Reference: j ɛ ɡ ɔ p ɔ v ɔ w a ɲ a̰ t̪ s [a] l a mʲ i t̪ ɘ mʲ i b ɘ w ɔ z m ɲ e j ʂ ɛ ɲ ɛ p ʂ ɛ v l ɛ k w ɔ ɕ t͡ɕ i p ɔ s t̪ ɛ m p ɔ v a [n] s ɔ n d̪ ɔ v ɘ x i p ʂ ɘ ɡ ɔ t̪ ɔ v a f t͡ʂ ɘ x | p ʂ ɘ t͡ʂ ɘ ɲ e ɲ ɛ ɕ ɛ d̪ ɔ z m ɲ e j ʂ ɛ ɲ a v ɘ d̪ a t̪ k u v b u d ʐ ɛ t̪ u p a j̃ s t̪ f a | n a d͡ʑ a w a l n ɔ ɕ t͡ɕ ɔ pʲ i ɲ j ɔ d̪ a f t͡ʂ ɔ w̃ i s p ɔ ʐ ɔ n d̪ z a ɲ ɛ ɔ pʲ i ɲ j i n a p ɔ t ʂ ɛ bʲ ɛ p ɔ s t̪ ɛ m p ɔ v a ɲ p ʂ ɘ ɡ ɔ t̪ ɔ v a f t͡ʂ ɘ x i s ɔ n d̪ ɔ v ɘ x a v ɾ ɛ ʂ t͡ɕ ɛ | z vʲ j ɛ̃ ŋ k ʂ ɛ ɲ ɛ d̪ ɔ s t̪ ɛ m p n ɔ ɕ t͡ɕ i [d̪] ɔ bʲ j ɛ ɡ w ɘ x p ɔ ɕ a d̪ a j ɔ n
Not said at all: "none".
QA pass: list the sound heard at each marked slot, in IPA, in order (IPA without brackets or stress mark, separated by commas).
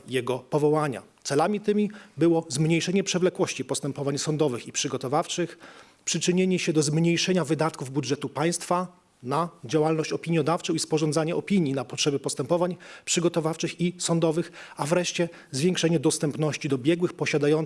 ɛ, ɲ, d̪